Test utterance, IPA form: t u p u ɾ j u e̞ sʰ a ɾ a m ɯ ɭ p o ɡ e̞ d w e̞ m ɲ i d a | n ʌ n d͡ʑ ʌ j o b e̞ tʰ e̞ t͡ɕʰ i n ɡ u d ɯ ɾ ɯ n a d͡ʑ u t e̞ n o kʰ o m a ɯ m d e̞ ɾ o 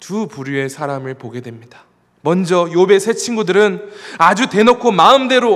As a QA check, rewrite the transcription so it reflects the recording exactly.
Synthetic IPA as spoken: t u p u ɾ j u e̞ sʰ a ɾ a m ɯ ɭ p o ɡ e̞ d w e̞ m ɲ i d a | m ʌ n d͡ʑ ʌ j o b e̞ sʰ e̞ t͡ɕʰ i n ɡ u d ɯ ɾ ɯ n a d͡ʑ u t e̞ n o kʰ o m a ɯ m d e̞ ɾ o